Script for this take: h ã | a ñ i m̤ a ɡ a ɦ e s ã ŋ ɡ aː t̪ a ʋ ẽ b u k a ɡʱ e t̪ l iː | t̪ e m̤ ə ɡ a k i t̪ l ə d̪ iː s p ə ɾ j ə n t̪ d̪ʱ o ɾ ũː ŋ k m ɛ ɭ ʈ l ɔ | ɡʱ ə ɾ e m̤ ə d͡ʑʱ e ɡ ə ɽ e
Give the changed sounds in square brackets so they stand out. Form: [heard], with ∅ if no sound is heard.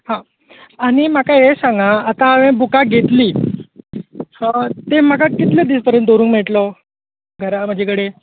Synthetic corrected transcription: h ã | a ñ i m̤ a [k] a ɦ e s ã ŋ ɡ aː t̪ a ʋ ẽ b u k a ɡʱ e t̪ l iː | t̪ e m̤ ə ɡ a k i t̪ l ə d̪ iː s p ə ɾ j ə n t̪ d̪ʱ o ɾ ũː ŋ k m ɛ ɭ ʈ l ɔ | ɡʱ ə ɾ [a] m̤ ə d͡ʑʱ e [k] ə ɽ e